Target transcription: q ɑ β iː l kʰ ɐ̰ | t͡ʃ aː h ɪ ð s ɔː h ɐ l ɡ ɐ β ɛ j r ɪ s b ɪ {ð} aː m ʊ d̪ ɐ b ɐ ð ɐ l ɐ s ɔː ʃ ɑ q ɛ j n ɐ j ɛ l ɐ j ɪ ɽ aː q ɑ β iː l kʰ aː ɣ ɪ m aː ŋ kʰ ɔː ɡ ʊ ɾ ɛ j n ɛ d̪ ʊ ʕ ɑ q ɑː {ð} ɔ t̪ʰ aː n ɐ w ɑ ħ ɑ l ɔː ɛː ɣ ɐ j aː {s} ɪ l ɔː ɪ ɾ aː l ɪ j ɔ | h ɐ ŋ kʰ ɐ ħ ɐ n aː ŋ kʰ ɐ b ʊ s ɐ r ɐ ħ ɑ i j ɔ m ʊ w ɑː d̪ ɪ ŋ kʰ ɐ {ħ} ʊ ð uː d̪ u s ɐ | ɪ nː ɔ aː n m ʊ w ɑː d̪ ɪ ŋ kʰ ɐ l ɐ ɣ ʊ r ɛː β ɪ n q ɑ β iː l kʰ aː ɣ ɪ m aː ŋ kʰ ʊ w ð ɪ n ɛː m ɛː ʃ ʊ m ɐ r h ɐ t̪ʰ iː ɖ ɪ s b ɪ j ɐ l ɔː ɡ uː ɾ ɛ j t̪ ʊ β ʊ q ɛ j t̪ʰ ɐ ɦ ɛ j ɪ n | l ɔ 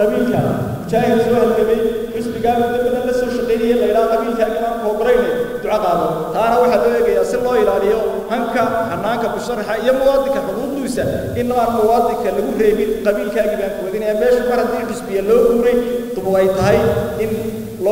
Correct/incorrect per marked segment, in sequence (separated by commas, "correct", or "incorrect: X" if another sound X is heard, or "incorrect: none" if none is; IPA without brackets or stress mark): incorrect: ɣ, correct, correct, correct